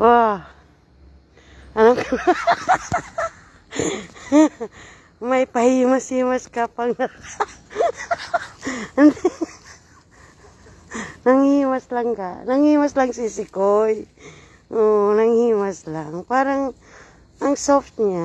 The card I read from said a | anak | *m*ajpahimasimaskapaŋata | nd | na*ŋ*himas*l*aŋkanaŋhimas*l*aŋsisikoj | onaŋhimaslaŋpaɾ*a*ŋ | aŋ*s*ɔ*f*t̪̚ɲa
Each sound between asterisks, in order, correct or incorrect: correct, correct, correct, correct, correct, correct, correct

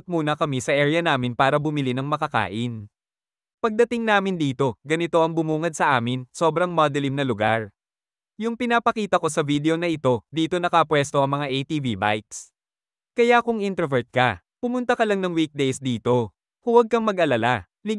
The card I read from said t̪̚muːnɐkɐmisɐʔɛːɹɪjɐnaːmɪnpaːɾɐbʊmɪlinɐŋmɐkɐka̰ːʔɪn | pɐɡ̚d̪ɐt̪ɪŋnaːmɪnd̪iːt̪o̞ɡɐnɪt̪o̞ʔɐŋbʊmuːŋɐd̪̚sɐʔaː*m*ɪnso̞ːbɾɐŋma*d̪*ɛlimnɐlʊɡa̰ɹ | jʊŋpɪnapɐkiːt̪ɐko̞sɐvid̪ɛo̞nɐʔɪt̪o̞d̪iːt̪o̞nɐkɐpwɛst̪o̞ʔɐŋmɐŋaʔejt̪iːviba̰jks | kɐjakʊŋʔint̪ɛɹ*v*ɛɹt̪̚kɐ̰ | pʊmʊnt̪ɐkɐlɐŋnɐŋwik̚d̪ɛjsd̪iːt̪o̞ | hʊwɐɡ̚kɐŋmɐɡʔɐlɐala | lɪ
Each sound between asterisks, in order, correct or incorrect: correct, correct, correct

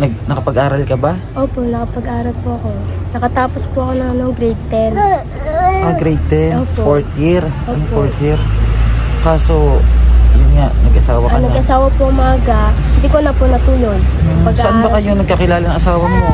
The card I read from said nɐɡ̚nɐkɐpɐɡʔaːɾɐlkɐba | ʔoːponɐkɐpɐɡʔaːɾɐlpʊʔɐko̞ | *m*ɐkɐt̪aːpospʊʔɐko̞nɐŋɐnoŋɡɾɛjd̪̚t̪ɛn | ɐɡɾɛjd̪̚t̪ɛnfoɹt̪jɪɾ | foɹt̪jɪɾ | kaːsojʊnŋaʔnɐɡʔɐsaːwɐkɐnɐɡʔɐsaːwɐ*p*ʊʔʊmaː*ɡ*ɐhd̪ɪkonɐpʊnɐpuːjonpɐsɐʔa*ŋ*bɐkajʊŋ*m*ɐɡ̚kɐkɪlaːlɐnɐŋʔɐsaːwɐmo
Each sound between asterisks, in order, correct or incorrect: incorrect, correct, correct, incorrect, incorrect

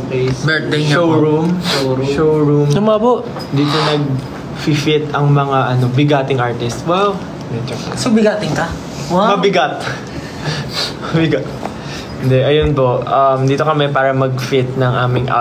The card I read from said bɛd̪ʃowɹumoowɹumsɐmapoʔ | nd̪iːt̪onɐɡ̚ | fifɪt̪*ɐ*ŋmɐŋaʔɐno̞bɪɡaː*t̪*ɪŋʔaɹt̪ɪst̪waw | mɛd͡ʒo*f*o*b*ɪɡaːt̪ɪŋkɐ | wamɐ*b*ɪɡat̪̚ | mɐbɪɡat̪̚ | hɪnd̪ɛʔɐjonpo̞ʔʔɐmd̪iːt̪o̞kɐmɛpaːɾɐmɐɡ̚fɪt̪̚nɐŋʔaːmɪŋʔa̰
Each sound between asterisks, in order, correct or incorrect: correct, correct, incorrect, correct, correct

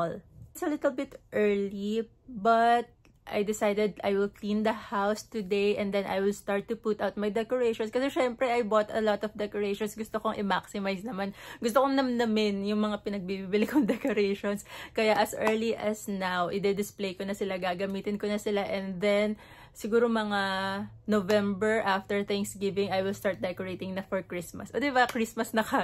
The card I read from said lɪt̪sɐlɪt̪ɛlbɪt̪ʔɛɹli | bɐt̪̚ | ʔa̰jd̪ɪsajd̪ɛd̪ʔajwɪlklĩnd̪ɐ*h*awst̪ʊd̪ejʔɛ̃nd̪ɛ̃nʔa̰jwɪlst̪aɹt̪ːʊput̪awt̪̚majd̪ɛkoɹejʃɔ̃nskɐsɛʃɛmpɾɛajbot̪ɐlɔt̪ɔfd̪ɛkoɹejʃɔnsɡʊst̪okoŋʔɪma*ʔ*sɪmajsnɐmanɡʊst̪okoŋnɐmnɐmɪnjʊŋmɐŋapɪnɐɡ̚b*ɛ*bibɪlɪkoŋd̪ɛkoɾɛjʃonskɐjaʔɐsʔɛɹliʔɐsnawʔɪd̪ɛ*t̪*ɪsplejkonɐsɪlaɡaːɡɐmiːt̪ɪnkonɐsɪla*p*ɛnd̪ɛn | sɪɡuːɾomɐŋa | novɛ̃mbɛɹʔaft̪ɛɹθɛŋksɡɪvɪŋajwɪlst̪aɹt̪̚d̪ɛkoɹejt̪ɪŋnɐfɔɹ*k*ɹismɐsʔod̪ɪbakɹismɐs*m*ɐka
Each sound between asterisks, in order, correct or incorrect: correct, incorrect, incorrect, incorrect, incorrect, correct, incorrect

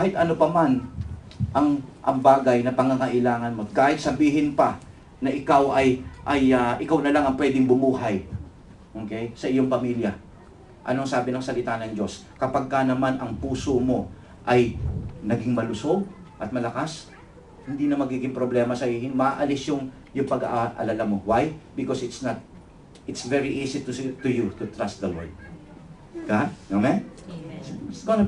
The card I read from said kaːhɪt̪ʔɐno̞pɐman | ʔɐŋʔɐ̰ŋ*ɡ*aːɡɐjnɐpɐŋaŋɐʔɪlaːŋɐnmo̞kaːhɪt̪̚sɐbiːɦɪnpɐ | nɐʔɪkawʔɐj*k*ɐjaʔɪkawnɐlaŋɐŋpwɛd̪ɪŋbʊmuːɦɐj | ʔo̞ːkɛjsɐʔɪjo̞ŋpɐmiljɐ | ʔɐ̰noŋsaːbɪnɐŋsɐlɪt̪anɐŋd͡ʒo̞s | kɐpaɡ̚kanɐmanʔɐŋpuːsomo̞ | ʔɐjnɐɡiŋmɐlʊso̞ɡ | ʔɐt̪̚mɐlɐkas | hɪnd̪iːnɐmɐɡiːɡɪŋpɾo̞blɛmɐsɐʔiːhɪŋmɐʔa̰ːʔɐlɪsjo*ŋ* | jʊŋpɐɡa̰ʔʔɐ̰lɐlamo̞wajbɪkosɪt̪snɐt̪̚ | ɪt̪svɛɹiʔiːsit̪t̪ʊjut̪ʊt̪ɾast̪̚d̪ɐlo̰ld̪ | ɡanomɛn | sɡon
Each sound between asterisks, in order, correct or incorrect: incorrect, incorrect, correct

